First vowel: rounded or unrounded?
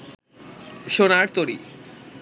rounded